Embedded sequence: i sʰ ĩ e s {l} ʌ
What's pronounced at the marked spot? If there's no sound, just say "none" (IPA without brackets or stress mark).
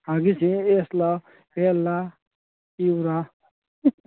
l